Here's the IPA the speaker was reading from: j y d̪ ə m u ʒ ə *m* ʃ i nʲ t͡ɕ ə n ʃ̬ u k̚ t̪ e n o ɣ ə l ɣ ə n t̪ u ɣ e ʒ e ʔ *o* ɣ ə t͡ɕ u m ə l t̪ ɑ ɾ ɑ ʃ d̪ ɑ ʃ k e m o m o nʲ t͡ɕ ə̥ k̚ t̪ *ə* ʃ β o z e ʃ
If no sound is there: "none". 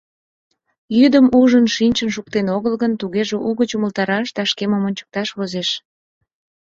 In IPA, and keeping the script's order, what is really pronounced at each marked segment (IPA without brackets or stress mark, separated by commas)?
n, u, ɑ